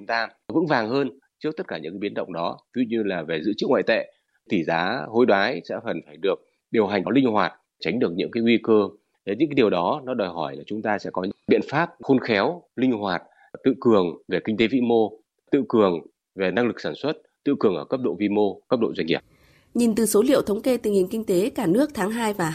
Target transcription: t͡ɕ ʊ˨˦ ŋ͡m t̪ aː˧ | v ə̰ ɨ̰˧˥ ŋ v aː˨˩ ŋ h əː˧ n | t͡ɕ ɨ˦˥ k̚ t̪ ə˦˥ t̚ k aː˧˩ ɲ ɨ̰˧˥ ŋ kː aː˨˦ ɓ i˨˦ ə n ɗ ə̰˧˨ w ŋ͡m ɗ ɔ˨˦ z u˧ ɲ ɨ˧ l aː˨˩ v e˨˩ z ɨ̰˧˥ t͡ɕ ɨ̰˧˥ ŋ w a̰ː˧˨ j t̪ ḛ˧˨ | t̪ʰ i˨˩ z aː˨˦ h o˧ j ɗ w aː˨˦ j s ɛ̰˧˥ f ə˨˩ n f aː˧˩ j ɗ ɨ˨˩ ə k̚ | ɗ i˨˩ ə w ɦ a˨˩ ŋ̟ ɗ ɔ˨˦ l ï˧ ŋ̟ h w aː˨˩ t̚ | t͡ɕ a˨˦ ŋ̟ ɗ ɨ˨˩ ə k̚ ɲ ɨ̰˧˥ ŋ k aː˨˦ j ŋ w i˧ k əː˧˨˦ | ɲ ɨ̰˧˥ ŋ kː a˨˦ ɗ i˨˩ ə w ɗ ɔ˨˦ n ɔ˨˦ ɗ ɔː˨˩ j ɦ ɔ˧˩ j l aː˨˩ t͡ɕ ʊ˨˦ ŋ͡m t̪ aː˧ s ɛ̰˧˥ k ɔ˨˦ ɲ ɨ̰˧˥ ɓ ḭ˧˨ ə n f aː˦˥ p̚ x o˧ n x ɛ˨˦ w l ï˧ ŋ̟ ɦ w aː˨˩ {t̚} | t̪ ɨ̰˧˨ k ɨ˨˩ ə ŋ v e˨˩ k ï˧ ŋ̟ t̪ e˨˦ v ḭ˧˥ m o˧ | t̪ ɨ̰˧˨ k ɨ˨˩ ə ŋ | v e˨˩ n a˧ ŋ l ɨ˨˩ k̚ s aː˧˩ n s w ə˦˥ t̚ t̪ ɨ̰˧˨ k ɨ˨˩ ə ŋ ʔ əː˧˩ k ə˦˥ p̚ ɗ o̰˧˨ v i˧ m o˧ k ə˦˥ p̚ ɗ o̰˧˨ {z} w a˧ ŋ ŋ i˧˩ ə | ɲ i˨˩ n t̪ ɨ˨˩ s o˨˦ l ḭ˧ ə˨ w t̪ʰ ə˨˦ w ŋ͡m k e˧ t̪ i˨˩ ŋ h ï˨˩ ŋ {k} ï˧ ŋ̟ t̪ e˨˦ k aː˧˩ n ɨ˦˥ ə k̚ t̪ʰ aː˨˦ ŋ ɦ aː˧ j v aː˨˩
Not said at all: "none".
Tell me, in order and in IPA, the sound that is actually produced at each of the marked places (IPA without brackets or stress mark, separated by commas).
t̚, z, k